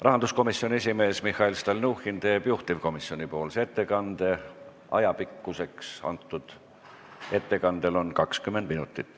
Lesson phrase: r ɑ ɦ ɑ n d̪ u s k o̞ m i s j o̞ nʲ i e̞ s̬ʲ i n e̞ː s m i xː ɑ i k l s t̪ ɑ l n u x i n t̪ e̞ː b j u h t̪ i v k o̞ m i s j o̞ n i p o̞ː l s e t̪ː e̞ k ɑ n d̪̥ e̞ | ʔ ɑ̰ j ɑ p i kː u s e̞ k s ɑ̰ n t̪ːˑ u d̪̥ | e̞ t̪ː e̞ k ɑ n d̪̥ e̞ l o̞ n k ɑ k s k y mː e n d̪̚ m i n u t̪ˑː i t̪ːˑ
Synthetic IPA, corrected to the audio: r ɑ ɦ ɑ n d̪ u s k o̞ m i s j o̞ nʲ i e̞ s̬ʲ i m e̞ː s m i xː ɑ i l s t̪ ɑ l n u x i n t̪ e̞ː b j u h t̪ i v k o̞ m i s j o̞ n i p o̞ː l s e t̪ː e̞ k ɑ n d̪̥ e̞ | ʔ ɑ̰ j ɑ p i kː u s e̞ k s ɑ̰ n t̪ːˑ u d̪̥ | e̞ t̪ː e̞ k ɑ n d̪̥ e̞ l o̞ n k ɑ k s k y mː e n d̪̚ m i n u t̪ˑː i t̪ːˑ